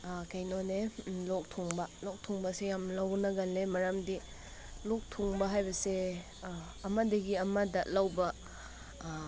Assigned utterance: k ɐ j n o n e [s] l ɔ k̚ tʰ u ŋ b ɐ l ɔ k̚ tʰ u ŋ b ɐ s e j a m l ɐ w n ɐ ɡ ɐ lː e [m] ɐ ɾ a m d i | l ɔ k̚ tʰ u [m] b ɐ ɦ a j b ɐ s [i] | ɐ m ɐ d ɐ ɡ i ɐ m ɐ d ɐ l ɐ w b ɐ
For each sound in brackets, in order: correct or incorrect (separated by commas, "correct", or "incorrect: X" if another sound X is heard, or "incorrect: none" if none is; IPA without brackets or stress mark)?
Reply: incorrect: none, correct, incorrect: ŋ, incorrect: e